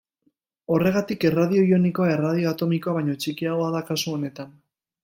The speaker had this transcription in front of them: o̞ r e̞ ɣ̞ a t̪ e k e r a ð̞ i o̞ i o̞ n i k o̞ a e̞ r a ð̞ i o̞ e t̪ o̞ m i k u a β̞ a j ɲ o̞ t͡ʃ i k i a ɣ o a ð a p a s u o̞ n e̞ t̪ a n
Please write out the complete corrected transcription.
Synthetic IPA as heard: o̞ r e̞ ɣ̞ a t̪ i k e r a ð̞ i o̞ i o̞ n i k o̞ a e̞ r a ð̞ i o̞ a t̪ o̞ m i k o a β̞ a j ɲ o̞ t͡ʃ i k i a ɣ o a ð a k a s u o̞ n e̞ t̪ a n